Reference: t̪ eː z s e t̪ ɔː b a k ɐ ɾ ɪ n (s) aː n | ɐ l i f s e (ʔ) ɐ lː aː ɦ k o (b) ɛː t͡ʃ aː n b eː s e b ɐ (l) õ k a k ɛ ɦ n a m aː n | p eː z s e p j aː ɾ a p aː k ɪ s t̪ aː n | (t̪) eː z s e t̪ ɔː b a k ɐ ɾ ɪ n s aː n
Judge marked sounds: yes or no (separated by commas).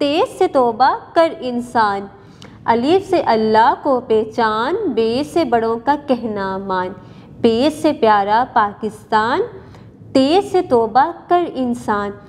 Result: yes, yes, no, no, yes